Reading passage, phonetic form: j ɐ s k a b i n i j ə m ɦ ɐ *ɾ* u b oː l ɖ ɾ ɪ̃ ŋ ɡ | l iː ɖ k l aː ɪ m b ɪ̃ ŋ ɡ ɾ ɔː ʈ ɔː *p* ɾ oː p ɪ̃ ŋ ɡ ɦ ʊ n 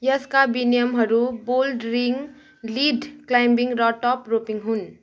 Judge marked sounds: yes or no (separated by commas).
yes, yes